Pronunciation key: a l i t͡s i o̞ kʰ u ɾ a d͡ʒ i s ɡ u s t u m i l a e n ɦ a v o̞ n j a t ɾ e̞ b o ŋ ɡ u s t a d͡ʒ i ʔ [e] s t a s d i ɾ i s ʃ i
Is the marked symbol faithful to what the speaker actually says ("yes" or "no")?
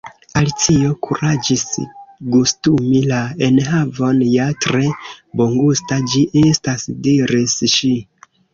yes